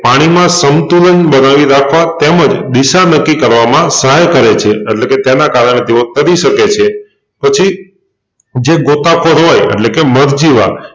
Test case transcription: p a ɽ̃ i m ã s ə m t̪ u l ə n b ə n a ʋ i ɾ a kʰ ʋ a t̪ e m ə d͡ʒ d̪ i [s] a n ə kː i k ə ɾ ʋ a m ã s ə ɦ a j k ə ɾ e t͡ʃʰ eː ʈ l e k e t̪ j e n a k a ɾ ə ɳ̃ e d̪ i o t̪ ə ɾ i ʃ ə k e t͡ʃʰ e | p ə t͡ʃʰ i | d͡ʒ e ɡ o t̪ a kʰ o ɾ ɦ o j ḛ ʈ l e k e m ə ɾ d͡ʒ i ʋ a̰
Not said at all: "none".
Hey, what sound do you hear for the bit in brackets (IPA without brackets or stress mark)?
ʃ